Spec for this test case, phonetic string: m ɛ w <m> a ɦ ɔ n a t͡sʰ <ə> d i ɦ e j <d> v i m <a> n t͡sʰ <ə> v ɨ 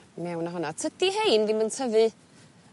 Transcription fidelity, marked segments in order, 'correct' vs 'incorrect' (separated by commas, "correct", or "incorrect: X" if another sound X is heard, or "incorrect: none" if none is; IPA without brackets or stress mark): incorrect: n, correct, incorrect: n, incorrect: ə, correct